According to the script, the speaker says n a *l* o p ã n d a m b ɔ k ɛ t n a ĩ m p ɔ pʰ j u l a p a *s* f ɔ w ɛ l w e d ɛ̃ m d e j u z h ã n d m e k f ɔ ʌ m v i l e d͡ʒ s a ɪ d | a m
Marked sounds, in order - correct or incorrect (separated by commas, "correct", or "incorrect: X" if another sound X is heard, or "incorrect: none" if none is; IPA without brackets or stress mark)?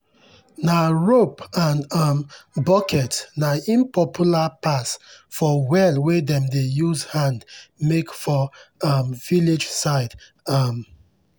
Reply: incorrect: ɹ, correct